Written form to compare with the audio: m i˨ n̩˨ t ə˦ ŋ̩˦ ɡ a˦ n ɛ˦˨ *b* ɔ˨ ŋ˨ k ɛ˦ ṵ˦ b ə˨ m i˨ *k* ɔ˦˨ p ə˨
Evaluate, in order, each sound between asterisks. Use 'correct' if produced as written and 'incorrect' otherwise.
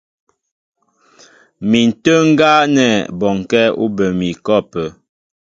correct, correct

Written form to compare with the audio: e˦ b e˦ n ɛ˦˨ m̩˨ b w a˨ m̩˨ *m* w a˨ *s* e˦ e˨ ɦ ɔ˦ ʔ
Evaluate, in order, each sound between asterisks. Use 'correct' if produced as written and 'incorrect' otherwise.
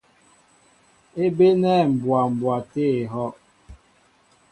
incorrect: b, incorrect: t

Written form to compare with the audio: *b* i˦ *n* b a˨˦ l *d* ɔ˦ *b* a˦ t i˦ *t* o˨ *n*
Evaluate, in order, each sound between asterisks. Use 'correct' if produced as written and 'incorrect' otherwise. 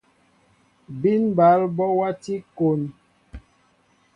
correct, correct, incorrect: b, incorrect: w, incorrect: k, correct

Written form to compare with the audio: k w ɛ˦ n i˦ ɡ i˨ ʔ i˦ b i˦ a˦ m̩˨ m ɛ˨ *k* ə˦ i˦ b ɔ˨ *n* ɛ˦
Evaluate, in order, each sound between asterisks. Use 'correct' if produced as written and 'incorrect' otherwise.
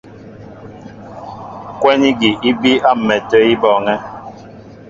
incorrect: t, incorrect: ŋ

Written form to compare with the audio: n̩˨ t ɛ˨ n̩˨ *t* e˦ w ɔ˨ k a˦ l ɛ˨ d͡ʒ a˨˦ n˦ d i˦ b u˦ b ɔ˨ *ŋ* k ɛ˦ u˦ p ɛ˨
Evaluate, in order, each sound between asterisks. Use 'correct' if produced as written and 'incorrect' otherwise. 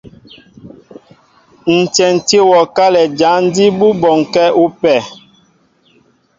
correct, correct

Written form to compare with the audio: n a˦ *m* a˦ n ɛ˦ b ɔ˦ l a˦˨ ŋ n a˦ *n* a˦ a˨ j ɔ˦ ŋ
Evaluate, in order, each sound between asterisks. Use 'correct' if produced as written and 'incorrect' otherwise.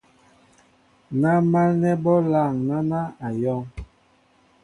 correct, correct

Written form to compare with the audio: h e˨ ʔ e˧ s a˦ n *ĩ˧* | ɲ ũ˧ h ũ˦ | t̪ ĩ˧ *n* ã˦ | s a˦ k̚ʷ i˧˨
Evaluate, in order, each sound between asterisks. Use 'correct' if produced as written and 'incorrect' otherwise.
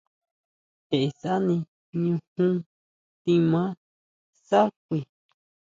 correct, incorrect: m

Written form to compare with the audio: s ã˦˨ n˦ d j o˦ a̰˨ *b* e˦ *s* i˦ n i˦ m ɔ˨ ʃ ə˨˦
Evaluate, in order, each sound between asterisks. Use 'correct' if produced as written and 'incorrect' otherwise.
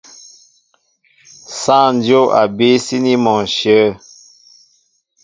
correct, correct

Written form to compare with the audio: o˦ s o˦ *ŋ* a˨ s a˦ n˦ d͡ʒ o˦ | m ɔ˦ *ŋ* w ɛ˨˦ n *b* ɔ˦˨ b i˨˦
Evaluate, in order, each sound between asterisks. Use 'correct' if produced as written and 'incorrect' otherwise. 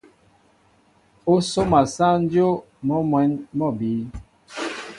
incorrect: m, incorrect: m, incorrect: m

